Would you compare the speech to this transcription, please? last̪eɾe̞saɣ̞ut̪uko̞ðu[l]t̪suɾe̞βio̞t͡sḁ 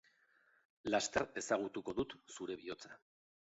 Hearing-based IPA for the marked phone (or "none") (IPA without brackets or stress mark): none